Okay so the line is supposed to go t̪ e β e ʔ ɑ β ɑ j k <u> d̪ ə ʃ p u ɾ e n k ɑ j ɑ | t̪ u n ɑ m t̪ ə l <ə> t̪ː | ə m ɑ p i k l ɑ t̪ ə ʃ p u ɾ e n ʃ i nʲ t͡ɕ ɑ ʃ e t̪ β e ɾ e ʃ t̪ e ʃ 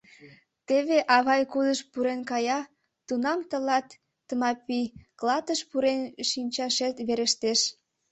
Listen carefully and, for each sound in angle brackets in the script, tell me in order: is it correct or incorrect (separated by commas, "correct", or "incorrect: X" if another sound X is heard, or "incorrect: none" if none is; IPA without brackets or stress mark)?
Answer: correct, incorrect: ɑ